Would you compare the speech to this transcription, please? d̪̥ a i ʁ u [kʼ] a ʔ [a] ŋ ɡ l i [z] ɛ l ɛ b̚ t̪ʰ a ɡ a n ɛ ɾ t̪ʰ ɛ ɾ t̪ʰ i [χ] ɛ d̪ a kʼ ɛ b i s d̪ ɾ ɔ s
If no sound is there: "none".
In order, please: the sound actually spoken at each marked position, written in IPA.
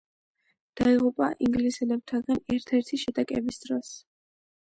pʼ, i, s, ʃ

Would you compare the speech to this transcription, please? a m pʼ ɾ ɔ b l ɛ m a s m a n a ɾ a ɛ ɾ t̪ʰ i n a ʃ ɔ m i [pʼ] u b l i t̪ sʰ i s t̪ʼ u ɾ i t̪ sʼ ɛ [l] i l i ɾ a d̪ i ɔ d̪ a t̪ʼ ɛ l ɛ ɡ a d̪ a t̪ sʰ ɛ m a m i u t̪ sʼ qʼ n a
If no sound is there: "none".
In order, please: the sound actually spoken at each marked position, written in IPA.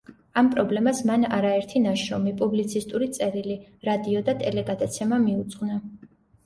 pʼ, ɾ

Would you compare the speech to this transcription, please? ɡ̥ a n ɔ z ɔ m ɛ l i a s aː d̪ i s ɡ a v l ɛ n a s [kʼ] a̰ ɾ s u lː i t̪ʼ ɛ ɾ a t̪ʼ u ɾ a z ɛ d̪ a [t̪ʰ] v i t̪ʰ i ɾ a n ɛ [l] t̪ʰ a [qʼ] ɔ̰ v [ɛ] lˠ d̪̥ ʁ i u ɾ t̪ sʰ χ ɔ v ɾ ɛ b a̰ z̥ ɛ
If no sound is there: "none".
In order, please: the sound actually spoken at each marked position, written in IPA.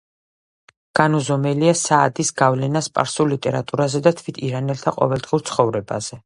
pʼ, t̪ʰ, l, qʼ, ɛ

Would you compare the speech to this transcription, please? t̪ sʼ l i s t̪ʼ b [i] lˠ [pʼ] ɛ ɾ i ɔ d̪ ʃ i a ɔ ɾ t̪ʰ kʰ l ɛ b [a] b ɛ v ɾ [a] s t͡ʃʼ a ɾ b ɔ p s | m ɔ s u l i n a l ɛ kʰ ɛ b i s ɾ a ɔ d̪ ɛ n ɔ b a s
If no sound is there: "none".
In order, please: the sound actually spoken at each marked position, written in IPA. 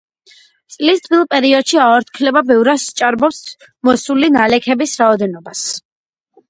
i, pʼ, a, a

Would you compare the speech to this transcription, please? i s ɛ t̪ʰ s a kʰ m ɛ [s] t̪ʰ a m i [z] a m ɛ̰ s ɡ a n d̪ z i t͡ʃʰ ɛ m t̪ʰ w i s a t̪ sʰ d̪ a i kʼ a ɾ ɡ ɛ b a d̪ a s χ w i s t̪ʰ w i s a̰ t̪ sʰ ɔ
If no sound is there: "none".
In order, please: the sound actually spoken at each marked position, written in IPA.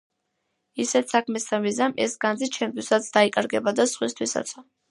s, z

